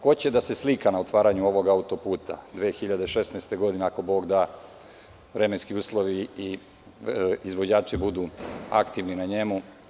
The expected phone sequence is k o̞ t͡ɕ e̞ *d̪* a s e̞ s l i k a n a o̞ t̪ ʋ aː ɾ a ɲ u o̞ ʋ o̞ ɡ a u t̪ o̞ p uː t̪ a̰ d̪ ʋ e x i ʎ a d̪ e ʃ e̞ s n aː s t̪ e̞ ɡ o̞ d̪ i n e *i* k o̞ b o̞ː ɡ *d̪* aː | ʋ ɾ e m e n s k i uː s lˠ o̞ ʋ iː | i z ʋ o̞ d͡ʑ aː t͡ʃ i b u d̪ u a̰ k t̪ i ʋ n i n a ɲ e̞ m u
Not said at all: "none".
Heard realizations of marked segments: d̪, a, d̪

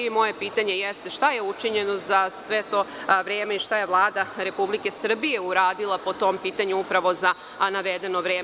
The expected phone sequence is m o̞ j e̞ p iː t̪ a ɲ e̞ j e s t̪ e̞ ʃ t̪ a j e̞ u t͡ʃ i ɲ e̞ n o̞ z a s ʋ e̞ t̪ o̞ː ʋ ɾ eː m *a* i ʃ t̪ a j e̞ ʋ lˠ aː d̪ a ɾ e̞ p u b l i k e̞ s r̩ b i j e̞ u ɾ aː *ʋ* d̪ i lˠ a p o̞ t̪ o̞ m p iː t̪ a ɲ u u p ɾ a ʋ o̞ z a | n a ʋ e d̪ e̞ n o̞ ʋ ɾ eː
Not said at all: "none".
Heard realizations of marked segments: e, none

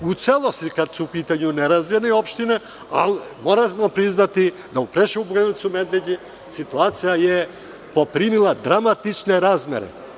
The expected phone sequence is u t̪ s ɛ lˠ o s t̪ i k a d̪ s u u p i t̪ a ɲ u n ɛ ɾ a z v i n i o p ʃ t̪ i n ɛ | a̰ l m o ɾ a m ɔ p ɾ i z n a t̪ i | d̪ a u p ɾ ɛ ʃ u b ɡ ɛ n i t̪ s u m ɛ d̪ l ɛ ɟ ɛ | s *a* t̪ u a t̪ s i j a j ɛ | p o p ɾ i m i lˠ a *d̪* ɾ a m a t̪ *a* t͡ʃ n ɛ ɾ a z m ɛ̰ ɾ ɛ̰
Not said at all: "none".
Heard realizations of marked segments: i, d̪, i

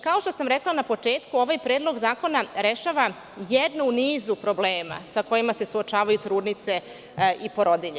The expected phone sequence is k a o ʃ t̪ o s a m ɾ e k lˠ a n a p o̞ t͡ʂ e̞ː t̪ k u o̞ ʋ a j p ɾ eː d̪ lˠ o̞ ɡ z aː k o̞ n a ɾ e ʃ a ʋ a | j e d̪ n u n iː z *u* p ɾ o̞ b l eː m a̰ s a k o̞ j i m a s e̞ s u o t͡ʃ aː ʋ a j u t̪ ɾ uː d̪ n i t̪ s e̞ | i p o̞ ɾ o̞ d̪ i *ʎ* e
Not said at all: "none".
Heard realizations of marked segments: u, ʎ

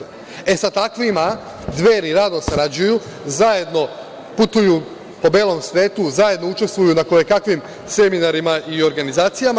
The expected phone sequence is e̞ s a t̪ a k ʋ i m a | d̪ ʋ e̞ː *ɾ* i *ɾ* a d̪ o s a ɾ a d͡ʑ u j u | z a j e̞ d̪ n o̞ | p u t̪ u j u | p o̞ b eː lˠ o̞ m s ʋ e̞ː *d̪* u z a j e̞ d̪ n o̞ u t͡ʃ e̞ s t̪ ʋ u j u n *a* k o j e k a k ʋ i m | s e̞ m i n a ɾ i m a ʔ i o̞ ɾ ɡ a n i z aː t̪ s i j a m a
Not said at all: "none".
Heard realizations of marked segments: ɾ, ɾ, t̪, a

